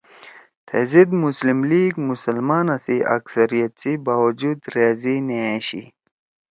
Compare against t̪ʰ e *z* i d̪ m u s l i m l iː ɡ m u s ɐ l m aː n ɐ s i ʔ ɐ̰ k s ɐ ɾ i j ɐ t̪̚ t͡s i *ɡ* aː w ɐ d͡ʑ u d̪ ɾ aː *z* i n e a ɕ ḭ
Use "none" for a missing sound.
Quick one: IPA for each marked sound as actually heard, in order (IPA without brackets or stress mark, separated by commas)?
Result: z, b, z